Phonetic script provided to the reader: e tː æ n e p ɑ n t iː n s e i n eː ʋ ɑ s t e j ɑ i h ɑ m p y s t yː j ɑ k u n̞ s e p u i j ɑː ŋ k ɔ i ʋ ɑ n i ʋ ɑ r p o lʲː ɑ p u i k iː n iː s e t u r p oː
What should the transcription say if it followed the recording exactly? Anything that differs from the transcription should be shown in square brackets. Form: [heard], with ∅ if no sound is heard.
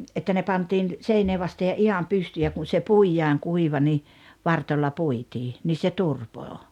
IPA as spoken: e tː æ n e p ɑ n t iː n s e i n eː ʋ ɑ s t e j ɑ i h ɑ m p y s t yː j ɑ k u n̞ s e p u i j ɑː ŋ k [u] i ʋ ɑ n i ʋ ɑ r [t] o lʲː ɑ p u i [t] iː n iː s e t u r p oː